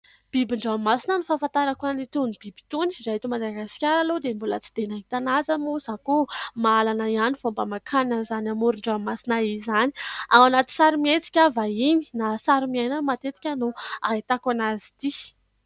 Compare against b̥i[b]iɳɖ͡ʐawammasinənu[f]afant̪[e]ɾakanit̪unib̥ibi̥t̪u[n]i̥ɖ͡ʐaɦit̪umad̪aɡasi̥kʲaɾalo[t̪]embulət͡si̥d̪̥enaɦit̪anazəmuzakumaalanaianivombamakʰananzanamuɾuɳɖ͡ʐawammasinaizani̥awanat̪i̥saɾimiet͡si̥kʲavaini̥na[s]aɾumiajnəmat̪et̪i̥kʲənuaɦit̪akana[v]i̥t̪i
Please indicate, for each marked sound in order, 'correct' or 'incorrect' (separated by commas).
correct, correct, incorrect, correct, incorrect, correct, incorrect